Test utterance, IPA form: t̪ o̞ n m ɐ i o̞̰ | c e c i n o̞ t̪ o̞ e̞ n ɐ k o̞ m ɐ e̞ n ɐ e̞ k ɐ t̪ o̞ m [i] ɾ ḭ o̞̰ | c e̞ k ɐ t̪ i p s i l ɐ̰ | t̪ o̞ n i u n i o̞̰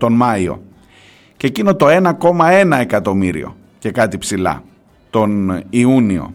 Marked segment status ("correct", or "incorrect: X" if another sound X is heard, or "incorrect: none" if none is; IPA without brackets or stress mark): correct